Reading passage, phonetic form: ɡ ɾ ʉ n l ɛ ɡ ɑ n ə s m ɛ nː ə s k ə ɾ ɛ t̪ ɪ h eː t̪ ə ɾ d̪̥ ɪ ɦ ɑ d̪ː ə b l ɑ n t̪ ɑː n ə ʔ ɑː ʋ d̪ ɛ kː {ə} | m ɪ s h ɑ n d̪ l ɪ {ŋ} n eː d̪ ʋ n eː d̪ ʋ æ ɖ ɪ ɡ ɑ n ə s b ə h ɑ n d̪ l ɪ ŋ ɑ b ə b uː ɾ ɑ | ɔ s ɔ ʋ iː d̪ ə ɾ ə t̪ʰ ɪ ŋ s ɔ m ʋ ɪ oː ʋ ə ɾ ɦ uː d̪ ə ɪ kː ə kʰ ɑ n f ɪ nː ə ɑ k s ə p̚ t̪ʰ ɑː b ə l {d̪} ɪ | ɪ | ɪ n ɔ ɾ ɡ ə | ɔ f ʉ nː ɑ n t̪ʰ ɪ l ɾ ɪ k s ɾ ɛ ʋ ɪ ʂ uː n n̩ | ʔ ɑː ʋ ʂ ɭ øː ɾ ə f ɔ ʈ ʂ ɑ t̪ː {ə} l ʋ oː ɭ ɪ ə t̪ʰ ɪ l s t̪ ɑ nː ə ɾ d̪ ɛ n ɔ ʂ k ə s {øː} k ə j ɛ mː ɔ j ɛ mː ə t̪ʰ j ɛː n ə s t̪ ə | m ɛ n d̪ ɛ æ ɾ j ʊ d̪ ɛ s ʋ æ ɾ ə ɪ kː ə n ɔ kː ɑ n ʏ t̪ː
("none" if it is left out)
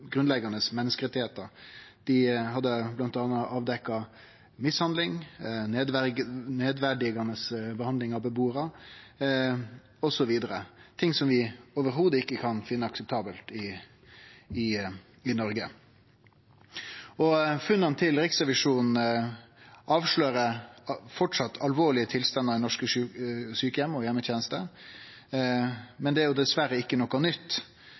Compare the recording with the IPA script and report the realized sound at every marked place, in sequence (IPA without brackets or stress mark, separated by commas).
ɑ, ŋ, t̪, ɑ, yː